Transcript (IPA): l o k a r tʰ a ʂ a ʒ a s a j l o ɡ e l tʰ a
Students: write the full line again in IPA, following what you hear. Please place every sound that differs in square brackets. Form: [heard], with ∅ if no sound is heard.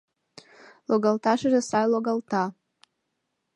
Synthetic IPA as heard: l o [ɡ] a [l] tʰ a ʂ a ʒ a s a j l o ɡ [a] l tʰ a